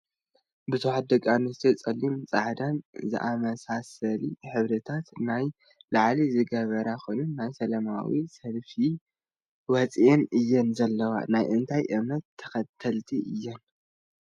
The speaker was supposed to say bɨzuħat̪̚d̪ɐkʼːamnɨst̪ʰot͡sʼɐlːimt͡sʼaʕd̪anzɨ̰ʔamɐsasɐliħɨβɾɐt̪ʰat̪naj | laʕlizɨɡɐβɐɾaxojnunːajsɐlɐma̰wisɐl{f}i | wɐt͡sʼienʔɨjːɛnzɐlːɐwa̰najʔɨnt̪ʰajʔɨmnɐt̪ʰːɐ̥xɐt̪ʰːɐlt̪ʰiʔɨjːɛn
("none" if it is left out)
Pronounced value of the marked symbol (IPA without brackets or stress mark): f